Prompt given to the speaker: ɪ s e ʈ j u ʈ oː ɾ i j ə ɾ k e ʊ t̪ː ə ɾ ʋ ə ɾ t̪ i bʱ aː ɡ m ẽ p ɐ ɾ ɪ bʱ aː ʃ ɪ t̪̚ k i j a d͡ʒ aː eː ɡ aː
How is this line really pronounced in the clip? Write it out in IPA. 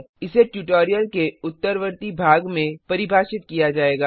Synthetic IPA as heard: ɪ s e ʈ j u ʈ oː ɾ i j ə l k e ʊ t̪ː ə ɾ ʋ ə ɾ t̪ i bʱ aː ɡ m ẽ p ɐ ɾ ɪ bʱ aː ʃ ɪ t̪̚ k i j a d͡ʒ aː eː ɡ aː